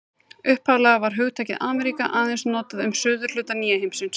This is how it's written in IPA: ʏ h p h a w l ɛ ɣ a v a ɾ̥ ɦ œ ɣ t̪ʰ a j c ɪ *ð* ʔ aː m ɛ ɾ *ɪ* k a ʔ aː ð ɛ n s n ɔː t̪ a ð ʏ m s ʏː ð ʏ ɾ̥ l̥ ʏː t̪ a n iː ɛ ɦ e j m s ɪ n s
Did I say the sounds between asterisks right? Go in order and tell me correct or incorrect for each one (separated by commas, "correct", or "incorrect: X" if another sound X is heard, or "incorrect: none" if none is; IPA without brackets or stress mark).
correct, incorrect: i